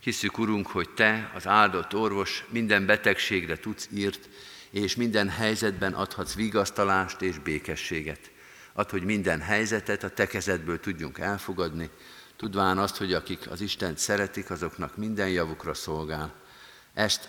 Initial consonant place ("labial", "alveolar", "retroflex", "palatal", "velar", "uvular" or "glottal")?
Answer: glottal